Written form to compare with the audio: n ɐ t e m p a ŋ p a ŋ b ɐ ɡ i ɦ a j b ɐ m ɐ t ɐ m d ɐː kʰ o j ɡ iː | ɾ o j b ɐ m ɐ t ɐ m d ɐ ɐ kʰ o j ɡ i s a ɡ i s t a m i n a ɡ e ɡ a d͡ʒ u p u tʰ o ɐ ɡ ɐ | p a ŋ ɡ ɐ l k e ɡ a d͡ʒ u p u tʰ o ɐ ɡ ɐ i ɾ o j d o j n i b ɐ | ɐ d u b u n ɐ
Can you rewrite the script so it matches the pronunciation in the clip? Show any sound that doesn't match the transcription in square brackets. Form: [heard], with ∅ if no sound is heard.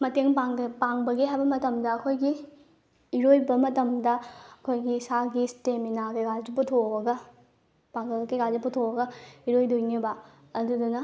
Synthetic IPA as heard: [m] ɐ t e [ŋ] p a ŋ p a ŋ b ɐ ɡ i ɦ a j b ɐ m ɐ t ɐ m d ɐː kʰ o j ɡ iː | ɾ o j b ɐ m ɐ t ɐ m d ɐ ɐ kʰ o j ɡ i s a ɡ i s t [e] m i n a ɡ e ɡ a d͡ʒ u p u tʰ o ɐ ɡ ɐ | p a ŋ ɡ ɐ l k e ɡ a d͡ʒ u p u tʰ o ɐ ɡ ɐ i ɾ o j d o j n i b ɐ | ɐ d u [d] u n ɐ